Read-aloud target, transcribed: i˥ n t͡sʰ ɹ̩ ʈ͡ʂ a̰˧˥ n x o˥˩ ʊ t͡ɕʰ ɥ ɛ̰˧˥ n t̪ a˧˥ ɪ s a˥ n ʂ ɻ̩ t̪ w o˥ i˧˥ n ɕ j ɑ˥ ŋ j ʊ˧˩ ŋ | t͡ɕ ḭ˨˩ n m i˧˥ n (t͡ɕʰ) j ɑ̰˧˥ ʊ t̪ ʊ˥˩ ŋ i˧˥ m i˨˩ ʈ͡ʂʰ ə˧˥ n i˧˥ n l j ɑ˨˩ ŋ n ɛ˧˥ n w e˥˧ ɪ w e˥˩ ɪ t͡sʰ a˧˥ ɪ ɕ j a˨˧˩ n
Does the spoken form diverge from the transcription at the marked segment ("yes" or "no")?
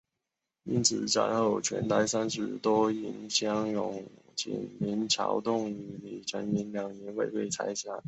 no